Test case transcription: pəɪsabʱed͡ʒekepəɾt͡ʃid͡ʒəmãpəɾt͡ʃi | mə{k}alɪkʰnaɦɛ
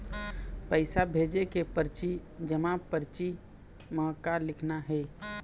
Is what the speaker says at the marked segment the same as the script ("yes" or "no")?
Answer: yes